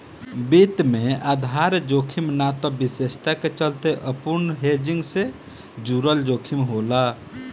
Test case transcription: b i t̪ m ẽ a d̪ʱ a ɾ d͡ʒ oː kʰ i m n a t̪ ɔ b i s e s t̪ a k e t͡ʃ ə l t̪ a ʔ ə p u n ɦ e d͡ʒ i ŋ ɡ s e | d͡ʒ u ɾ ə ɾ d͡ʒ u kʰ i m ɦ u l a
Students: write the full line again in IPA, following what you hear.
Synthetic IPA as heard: b i t̪ m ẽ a d̪ʱ a ɾ d͡ʒ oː kʰ i m n a t̪ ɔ b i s e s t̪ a k e t͡ʃ ə l t̪ e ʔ ə p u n ɦ e d͡ʒ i ŋ ɡ s e | d͡ʒ u ɾ ə l d͡ʒ o kʰ i m ɦ o l a